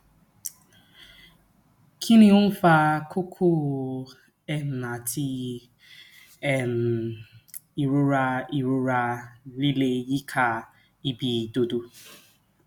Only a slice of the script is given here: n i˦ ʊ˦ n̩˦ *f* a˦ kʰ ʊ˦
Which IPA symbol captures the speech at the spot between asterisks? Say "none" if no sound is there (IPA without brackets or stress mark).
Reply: f